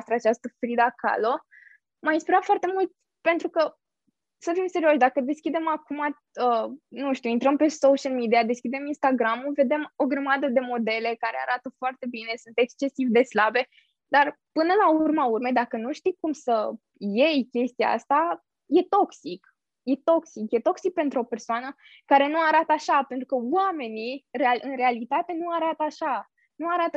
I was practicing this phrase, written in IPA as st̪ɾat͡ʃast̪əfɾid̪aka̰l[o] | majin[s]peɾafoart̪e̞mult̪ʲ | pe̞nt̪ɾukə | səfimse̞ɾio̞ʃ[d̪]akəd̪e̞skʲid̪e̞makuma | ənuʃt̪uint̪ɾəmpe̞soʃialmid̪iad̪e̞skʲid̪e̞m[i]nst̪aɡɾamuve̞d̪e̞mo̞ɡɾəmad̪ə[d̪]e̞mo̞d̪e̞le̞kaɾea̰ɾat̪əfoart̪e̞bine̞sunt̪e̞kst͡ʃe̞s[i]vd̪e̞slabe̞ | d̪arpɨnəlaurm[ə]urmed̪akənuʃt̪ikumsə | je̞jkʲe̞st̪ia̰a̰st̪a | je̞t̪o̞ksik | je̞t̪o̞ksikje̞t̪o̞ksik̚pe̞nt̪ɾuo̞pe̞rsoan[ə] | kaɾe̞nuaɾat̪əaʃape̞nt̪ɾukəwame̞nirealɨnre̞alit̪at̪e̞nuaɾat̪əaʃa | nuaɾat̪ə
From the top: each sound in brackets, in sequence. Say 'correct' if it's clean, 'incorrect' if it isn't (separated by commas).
correct, correct, correct, correct, correct, correct, incorrect, correct